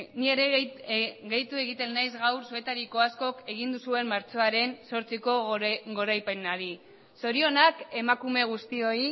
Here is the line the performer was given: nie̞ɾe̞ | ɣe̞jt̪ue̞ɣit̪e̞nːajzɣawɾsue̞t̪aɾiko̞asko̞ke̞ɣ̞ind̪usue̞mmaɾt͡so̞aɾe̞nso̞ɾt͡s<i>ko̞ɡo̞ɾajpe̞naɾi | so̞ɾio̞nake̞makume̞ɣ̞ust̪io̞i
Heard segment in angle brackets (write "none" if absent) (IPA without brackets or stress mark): i